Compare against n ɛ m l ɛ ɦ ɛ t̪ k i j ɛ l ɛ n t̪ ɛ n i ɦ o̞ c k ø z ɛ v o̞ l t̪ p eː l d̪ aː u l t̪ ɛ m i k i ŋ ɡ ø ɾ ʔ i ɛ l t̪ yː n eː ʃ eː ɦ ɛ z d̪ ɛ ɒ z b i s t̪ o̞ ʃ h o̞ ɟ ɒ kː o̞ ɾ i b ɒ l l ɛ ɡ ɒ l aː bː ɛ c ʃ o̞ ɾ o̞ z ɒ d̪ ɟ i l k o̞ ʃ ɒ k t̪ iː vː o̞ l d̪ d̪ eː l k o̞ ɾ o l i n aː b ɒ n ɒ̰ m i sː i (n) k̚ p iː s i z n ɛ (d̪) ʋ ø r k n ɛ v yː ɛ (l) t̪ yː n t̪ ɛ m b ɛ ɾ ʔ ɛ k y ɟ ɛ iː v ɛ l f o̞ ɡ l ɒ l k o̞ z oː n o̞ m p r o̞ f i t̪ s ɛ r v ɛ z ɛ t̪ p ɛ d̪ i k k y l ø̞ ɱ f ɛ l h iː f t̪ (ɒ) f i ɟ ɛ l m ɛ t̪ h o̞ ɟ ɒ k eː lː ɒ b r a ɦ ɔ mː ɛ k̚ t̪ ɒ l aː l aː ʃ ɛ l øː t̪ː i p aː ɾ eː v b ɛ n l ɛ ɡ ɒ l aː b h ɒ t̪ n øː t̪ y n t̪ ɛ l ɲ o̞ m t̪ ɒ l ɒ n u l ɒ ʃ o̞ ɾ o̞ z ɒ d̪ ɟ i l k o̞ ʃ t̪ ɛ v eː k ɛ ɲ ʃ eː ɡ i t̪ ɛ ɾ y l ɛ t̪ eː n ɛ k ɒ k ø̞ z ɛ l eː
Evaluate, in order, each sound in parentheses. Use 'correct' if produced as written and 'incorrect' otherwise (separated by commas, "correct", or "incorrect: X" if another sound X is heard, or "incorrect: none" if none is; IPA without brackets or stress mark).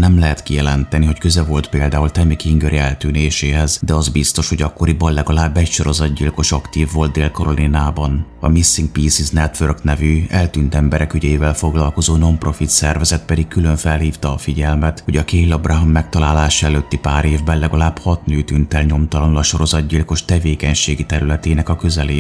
incorrect: ŋ, incorrect: t̪, correct, incorrect: ɒː